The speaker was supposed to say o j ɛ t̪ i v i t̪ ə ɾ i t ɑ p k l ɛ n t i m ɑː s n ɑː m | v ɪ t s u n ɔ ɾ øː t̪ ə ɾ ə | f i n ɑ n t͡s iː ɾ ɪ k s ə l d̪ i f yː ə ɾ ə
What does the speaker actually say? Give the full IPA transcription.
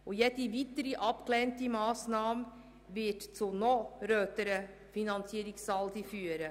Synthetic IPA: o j ɛ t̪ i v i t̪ ə ɾ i ʔ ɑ p k l ɛ n t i m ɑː s n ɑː m | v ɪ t t͡s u n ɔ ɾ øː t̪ ə ɾ ə | f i n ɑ n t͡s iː ɾ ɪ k s ɑ l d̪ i f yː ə ɾ ə